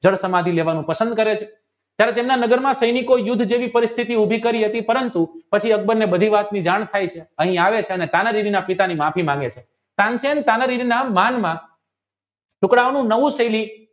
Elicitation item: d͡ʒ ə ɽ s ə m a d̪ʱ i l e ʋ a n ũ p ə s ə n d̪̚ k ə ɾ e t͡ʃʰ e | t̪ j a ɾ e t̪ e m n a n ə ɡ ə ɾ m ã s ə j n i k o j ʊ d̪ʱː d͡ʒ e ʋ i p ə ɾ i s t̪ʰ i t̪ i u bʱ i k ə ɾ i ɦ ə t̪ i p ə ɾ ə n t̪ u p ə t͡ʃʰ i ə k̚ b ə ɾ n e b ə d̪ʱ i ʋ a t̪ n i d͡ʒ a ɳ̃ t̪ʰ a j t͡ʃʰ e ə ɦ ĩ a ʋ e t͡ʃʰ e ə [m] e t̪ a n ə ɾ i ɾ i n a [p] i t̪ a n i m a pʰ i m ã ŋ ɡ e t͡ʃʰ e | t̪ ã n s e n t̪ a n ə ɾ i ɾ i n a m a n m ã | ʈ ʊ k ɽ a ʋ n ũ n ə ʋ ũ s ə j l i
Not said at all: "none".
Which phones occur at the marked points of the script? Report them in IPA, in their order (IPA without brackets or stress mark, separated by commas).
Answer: n, p